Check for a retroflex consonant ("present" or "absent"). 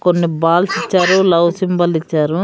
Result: absent